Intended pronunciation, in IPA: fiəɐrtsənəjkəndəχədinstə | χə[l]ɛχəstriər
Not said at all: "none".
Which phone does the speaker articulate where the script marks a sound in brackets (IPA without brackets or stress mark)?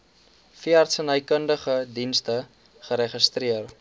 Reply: ɾ